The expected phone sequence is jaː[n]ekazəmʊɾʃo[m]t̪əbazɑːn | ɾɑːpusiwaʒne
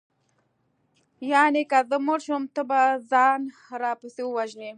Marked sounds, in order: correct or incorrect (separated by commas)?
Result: correct, correct